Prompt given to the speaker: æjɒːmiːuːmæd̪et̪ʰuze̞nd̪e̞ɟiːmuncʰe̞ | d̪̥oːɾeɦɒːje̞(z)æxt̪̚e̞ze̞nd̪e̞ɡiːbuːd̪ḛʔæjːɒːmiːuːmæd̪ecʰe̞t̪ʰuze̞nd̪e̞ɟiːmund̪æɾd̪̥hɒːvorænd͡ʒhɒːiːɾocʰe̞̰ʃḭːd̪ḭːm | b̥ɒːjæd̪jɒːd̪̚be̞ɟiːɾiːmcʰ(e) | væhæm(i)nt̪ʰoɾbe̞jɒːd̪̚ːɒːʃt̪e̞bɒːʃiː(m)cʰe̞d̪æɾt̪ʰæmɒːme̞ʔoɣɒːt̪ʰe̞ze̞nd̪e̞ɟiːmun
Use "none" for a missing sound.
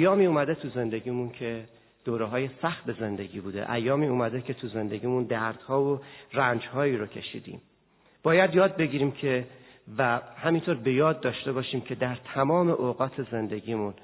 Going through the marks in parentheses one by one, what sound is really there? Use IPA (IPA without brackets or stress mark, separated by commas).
s, e, i, m